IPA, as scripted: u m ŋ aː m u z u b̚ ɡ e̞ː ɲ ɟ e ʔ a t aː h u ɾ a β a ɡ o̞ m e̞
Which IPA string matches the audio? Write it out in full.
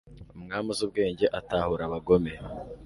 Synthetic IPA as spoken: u m ŋ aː m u z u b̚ ɡ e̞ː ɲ ɟ e ʔ a t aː h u ɾ a β a ɡ o̞ m e̞